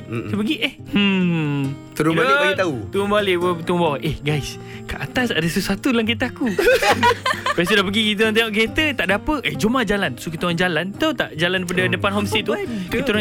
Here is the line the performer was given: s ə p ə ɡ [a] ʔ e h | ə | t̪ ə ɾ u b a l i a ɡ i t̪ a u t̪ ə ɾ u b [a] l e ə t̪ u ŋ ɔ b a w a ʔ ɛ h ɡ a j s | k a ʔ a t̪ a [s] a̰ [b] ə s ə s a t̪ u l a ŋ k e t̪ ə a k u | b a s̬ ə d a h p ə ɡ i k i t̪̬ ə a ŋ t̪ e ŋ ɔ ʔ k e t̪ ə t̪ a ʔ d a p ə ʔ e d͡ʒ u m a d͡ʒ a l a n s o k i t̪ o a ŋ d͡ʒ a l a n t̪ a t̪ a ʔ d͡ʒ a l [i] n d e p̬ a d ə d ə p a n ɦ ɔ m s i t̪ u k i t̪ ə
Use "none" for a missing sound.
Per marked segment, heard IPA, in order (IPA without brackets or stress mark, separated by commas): i, a, s, d, a